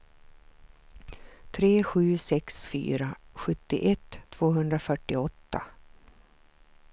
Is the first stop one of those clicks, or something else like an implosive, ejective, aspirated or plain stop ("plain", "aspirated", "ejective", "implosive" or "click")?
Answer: aspirated